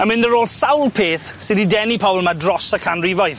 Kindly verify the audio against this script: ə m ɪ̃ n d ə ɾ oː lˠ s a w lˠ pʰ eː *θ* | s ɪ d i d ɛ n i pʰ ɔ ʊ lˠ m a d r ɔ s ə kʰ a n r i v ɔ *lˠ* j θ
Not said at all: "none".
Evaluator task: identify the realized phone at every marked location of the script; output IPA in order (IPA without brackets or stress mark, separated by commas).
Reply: θ, none